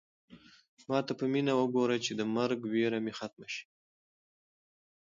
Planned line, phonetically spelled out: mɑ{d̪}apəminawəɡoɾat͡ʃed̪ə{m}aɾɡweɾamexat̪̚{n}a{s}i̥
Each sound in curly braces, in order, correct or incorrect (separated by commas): incorrect, correct, incorrect, incorrect